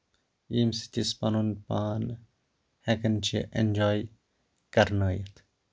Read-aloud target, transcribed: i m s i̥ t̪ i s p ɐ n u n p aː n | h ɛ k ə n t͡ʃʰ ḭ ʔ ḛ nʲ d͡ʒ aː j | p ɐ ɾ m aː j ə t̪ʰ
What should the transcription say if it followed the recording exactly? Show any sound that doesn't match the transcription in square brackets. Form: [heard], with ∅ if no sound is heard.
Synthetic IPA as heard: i m s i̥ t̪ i s p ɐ n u n p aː n | h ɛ k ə n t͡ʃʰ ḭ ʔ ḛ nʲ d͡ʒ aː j | [k] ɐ ɾ [n] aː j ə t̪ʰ

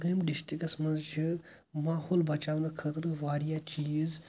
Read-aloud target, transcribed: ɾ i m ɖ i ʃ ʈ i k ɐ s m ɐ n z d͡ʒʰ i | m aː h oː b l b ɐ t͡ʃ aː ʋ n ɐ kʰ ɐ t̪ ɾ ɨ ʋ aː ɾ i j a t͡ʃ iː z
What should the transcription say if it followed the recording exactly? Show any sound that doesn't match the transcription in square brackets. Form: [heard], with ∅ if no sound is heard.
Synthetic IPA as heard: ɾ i m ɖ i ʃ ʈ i k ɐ s m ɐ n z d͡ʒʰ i | m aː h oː [∅] l b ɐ t͡ʃ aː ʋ n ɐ kʰ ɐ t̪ ɾ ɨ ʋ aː ɾ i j a t͡ʃ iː z

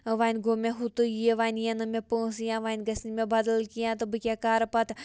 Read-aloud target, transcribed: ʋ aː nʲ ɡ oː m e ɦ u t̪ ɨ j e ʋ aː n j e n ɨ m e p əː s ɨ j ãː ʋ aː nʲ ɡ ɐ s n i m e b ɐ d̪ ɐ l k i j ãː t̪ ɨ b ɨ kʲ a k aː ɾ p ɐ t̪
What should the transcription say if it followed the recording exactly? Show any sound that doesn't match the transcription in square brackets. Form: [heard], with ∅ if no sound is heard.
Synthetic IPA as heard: ʋ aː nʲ ɡ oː m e ɦ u t̪ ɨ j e ʋ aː n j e n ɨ m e p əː s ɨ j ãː ʋ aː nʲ ɡ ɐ s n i m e b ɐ d̪ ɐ l k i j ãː t̪ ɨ b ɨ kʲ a k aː ɾ p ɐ t̪

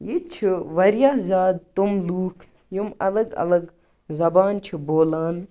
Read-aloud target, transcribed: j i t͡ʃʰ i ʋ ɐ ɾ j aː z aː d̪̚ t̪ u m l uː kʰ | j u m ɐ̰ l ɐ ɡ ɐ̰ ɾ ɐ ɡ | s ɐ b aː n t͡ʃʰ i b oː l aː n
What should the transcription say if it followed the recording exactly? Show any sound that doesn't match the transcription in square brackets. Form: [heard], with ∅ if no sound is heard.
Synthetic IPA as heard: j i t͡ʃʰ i ʋ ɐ ɾ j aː z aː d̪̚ t̪ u m l uː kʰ | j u m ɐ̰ l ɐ ɡ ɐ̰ [l] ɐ ɡ | [z] ɐ b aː n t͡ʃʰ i b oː l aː n

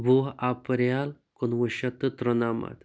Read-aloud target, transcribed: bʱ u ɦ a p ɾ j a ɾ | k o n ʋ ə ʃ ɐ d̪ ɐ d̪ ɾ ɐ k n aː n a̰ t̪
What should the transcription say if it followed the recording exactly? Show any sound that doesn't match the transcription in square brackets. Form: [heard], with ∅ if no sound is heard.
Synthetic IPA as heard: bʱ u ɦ a p ɾ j a [l] | k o n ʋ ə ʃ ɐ [t̪] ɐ [t̪] ɾ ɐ [∅] n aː [m] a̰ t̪

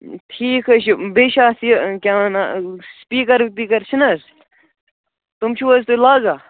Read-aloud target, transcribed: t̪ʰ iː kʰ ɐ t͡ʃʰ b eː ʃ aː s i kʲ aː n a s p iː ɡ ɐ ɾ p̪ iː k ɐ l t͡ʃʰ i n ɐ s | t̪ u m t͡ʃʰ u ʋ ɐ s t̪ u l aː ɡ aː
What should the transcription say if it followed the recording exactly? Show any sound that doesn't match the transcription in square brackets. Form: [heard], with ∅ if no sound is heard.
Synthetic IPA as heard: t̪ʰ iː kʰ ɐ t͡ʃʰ b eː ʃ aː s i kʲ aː n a s p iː [k] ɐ ɾ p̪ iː k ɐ [ɾ] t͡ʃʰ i n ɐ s | t̪ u m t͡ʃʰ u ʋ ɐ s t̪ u l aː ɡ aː

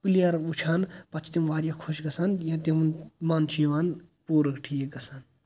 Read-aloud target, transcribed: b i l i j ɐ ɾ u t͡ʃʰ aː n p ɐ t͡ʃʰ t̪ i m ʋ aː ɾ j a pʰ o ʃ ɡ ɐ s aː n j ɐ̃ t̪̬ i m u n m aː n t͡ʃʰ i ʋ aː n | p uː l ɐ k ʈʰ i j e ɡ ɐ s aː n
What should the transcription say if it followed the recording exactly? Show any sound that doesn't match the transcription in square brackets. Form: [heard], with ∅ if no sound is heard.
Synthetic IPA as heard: [p] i l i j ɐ ɾ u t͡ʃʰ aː n p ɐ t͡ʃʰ t̪ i m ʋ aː ɾ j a [kʰ] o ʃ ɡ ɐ s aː n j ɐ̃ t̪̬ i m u n m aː n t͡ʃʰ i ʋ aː n | p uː [ɾ] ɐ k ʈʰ i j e ɡ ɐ s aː n

